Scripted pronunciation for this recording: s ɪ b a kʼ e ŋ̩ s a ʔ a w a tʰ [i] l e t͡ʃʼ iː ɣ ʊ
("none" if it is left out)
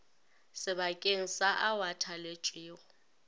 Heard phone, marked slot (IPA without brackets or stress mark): a